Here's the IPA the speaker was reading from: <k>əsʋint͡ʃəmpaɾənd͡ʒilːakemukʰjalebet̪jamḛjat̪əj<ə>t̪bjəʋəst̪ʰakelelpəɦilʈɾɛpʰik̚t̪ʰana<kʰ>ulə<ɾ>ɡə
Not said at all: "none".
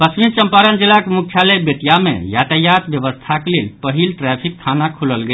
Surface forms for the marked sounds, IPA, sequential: p, a, kʰ, l

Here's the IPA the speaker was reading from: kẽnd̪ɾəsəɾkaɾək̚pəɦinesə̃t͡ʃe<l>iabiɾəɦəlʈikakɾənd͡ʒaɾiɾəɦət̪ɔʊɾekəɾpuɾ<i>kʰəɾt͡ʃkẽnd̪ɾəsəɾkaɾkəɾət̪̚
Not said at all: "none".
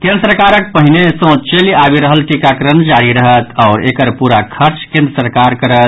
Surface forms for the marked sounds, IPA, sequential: l, a

